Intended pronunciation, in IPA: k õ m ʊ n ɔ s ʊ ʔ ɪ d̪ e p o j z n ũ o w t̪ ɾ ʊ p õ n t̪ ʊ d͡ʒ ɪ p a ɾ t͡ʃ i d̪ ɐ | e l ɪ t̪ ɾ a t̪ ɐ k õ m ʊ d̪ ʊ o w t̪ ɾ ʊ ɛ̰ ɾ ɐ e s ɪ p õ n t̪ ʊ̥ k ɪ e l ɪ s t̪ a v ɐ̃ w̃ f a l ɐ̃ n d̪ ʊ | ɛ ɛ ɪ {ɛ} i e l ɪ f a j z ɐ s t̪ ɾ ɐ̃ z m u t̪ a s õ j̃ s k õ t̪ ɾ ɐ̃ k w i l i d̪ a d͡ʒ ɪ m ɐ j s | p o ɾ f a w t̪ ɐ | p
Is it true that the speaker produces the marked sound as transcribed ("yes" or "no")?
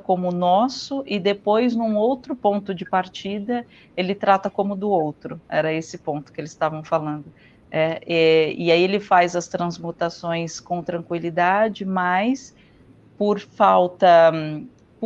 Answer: no